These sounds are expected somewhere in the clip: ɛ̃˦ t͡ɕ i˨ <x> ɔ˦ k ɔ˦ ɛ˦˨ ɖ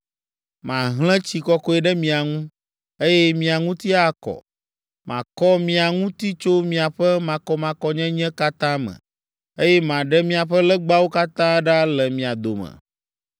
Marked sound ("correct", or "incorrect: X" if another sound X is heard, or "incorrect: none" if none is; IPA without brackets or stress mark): incorrect: k